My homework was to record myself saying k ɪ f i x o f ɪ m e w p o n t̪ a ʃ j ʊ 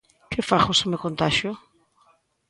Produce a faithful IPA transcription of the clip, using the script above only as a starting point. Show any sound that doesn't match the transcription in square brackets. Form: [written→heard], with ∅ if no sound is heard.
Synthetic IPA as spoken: k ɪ f [i→a] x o [f→s] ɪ m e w [p→k] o n t̪ a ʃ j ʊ